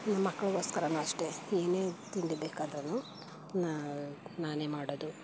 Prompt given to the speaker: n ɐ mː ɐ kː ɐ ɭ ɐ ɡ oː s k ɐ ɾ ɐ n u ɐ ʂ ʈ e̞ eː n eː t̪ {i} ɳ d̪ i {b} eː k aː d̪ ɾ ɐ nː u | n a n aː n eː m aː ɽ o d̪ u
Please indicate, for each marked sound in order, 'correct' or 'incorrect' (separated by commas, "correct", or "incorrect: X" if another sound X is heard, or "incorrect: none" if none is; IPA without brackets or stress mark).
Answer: correct, correct